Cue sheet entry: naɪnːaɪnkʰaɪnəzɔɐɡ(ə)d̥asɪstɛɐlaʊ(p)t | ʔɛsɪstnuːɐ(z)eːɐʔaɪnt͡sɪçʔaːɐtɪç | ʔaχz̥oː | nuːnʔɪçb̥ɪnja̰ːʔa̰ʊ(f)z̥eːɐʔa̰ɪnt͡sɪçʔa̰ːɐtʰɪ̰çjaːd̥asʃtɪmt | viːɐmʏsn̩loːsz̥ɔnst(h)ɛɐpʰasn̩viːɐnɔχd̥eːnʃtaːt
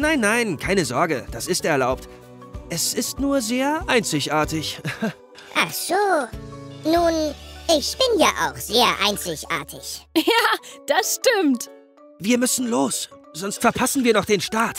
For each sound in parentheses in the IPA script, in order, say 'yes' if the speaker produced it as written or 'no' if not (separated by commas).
yes, yes, yes, no, no